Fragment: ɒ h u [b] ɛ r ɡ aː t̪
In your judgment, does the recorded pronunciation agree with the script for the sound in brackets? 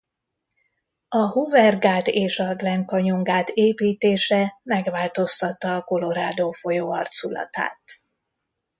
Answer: no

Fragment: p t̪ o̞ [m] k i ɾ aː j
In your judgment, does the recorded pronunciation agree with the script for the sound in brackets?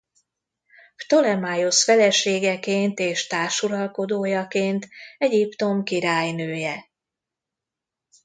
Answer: yes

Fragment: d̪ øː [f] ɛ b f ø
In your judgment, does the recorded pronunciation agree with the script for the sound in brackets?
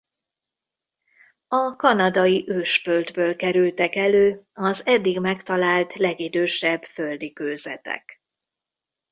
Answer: no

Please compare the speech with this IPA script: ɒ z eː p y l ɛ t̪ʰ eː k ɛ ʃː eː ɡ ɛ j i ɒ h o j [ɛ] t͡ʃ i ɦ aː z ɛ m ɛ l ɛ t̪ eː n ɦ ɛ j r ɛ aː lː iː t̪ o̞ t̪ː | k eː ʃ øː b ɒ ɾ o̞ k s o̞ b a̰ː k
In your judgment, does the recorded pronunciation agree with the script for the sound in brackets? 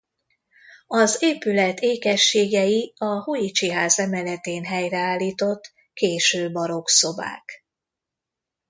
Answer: no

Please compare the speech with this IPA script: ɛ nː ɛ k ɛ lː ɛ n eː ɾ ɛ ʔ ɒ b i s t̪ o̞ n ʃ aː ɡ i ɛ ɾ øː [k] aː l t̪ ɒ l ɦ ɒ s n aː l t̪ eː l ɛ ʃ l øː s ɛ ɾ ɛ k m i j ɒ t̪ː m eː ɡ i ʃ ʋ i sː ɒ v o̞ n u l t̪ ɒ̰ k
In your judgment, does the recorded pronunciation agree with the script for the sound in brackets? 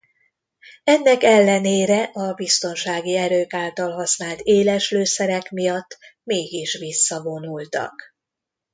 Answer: yes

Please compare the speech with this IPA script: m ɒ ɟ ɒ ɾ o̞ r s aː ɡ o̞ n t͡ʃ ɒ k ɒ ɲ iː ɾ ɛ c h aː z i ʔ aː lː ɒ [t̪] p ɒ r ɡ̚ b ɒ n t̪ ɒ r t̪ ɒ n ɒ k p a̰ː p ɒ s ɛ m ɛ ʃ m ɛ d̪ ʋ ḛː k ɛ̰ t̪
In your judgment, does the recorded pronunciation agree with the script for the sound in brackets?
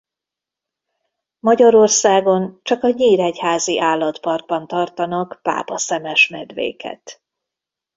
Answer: yes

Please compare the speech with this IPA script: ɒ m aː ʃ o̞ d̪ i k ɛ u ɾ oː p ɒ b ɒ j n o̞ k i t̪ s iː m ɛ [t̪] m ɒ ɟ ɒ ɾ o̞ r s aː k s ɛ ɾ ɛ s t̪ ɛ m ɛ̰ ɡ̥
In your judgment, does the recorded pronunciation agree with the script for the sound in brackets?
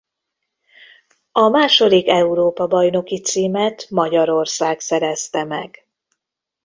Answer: yes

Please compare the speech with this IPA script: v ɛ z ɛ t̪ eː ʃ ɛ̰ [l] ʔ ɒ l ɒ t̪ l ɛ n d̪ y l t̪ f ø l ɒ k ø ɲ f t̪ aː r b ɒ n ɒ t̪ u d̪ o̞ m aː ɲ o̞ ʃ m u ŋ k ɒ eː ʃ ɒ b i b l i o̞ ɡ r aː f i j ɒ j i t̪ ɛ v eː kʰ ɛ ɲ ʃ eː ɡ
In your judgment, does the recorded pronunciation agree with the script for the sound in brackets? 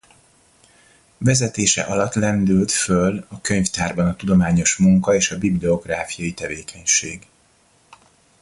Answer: no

